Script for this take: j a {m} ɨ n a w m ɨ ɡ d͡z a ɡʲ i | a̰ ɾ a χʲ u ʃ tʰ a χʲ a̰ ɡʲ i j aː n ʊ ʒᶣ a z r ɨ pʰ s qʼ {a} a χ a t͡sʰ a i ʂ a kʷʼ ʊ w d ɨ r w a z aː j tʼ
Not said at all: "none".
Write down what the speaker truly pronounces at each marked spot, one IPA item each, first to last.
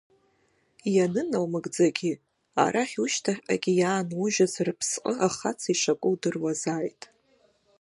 n, ə

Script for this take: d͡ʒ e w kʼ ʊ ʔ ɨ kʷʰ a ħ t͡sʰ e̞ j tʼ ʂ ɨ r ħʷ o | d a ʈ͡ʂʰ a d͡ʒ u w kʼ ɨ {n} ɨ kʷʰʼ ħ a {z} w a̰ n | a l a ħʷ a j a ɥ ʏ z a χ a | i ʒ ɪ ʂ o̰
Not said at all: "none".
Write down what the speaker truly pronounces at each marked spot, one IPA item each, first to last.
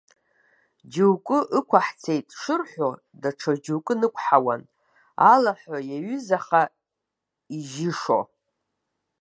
n, none

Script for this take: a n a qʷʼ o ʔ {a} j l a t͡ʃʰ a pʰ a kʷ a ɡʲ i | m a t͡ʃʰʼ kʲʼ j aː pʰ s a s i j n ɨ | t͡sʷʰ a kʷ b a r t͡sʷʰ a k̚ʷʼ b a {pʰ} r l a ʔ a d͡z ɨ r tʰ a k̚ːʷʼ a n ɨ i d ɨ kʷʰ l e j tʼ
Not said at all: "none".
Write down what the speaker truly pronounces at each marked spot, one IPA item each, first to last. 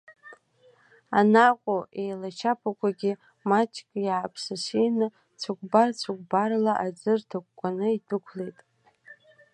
e, none

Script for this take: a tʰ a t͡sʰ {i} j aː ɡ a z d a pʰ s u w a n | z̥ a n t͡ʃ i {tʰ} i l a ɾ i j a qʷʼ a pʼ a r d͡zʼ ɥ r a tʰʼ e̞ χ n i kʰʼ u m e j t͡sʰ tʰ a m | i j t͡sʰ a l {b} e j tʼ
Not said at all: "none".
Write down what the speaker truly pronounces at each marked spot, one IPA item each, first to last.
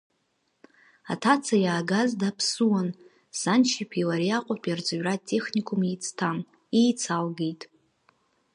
a, pʰ, ɡ

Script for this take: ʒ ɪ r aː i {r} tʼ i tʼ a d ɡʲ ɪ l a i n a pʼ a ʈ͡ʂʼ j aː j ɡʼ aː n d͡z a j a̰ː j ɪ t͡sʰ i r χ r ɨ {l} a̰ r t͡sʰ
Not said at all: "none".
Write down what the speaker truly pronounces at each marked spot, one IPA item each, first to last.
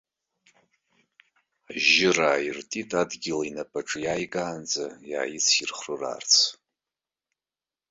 r, r

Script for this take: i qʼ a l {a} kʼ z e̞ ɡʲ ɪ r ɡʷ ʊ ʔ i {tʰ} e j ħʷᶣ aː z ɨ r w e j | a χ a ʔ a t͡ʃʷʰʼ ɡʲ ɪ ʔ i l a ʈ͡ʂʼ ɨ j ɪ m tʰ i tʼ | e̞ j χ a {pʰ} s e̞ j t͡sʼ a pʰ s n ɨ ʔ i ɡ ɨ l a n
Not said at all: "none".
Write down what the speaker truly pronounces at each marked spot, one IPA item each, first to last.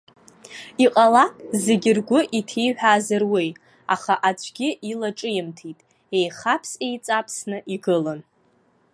a, tʰ, pʰ

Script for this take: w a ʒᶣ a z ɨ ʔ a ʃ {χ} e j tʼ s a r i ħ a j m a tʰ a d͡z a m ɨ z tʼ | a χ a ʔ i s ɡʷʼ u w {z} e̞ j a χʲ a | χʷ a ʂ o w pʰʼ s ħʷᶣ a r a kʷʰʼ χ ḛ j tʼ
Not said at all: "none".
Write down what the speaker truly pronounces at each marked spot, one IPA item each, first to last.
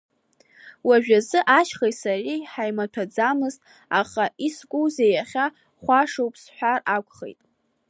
χ, z

